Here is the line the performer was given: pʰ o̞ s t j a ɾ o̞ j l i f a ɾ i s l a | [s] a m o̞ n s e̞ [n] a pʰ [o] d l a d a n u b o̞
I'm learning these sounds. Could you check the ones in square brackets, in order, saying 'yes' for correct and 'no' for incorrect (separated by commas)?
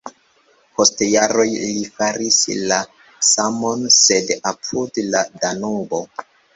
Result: yes, no, no